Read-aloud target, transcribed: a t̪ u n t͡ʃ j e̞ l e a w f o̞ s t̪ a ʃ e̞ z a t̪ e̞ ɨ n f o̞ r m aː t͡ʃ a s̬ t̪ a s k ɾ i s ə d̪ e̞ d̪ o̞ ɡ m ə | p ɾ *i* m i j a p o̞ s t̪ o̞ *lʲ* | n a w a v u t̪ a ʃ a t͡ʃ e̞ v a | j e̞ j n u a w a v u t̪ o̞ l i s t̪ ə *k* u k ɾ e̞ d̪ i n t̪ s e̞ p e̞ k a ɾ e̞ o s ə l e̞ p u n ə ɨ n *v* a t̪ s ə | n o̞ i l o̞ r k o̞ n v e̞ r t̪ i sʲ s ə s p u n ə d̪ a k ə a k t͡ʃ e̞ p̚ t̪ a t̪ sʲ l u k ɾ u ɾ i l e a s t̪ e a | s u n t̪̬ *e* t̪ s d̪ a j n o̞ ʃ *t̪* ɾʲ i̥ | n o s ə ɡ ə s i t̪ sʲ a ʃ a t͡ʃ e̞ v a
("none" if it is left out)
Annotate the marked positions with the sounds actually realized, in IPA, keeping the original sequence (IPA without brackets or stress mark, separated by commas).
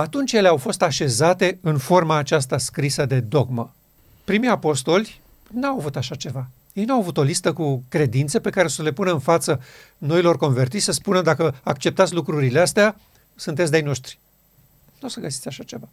i, lʲ, k, f, e, t̪